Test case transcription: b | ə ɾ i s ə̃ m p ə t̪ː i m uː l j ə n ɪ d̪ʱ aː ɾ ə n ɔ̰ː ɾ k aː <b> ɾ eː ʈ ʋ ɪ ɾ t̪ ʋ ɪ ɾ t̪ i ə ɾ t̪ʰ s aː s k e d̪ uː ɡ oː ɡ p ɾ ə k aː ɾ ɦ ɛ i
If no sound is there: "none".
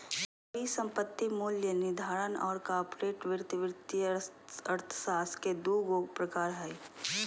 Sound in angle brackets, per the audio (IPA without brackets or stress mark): p